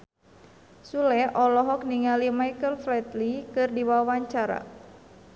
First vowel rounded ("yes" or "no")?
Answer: yes